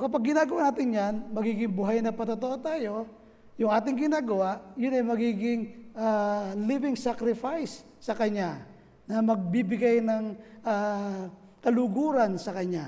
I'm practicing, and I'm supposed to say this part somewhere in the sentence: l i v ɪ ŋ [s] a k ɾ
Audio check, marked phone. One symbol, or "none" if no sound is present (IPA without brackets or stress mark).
s